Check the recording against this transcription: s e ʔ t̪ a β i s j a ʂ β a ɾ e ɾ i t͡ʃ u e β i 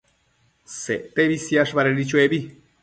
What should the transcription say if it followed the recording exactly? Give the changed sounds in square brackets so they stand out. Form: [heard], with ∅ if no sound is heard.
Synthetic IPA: s e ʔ t̪ [e] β i s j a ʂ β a ɾ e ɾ i t͡ʃ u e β i